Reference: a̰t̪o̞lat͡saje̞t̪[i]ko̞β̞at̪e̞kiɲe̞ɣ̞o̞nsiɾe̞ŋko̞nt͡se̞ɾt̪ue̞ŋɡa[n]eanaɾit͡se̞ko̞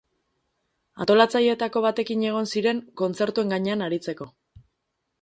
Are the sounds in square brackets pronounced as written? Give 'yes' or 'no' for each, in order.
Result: no, no

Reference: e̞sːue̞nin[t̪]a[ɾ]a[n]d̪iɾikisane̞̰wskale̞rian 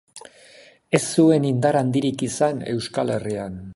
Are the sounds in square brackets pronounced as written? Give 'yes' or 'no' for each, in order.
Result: no, yes, yes

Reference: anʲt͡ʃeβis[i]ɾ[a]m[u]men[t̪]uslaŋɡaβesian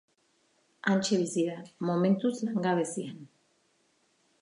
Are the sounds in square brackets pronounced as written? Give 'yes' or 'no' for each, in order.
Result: yes, yes, no, yes

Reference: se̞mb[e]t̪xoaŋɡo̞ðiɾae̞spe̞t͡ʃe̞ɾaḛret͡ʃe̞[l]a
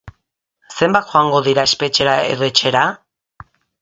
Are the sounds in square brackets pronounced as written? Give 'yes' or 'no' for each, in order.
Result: no, no

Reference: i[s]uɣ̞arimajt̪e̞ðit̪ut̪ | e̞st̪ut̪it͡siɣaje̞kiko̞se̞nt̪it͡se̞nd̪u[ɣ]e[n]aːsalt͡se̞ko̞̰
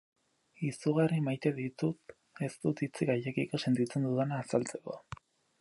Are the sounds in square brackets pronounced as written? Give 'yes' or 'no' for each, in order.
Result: yes, no, yes

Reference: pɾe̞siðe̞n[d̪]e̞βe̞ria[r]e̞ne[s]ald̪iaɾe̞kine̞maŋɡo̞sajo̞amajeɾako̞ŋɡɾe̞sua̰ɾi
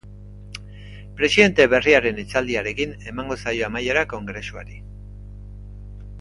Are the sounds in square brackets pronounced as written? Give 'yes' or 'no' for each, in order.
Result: no, no, no

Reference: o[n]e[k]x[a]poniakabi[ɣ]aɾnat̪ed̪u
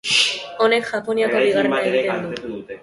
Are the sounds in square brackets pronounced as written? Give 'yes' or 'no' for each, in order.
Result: yes, yes, yes, yes

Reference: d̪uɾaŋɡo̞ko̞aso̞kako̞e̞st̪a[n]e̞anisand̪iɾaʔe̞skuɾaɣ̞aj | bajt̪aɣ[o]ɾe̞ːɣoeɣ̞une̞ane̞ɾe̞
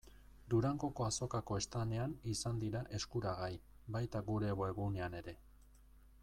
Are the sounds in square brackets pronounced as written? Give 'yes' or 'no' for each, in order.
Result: yes, no

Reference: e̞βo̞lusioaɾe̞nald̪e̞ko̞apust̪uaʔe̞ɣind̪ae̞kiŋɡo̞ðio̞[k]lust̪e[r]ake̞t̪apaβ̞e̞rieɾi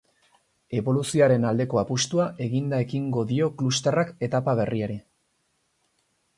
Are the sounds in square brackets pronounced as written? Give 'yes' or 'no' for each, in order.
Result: yes, yes

